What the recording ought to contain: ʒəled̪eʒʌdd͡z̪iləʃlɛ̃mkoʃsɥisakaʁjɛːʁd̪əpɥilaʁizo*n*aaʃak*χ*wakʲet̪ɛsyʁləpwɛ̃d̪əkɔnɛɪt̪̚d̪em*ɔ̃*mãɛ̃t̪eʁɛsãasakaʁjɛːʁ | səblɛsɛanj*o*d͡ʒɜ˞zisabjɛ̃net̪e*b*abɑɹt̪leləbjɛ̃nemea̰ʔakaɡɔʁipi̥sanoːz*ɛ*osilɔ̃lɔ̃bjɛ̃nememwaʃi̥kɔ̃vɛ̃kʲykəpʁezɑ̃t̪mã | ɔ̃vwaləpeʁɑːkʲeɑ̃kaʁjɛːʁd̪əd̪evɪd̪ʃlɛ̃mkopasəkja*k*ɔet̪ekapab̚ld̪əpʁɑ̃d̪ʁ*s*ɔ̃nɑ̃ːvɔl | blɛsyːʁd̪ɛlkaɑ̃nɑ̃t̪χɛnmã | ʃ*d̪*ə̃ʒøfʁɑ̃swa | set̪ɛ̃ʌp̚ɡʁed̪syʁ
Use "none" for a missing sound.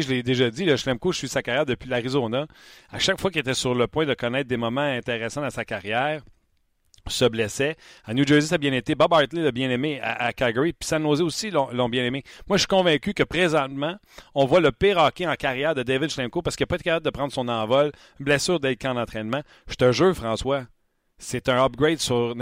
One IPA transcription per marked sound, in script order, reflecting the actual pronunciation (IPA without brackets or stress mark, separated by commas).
n, f, ɔ, u, b, ɛ, p, s, t̪